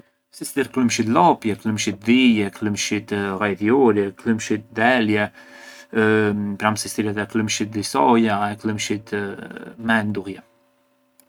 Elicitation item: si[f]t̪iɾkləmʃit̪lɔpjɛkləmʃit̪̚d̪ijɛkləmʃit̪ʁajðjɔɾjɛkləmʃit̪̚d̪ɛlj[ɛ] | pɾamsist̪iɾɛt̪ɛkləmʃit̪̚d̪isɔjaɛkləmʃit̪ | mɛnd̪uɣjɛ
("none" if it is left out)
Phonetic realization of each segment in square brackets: s, ɛ

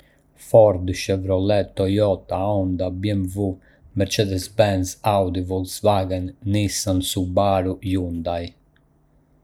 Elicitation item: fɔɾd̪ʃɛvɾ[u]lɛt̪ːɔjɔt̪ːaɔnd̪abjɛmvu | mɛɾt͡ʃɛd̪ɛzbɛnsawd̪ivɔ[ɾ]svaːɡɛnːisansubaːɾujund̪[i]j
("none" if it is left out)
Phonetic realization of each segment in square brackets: ɔ, l, a

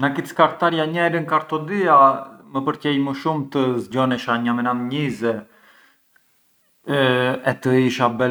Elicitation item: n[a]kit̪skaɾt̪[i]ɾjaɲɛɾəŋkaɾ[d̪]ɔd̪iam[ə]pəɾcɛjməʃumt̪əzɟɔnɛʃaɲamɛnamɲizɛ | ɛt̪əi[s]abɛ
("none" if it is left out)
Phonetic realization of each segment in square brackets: a, a, t̪, ə, ʃ

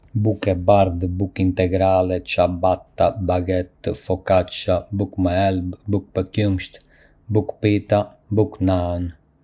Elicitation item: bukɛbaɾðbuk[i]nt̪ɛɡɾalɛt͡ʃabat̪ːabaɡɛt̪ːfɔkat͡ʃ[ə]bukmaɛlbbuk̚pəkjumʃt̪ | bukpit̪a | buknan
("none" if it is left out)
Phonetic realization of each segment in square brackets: i, a

